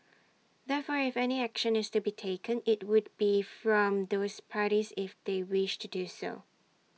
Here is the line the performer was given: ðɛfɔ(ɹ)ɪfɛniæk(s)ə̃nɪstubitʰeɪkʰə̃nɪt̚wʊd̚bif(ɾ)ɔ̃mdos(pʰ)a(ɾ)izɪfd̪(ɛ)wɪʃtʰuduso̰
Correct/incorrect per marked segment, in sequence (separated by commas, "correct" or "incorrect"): correct, incorrect, incorrect, correct, correct, incorrect